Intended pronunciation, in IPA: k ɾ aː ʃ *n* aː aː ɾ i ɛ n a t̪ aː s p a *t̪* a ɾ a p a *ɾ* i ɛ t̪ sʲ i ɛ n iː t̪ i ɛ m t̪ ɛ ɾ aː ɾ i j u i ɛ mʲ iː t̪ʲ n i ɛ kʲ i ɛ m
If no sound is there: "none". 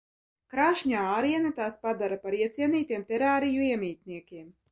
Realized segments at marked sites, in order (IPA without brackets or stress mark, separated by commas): ɲ, d̪, ɾ